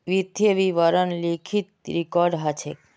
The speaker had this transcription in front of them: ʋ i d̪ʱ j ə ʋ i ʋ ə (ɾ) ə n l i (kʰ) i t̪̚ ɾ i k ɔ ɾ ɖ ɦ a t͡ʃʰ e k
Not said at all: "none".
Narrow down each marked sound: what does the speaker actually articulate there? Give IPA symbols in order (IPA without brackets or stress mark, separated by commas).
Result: ɾ, kʰ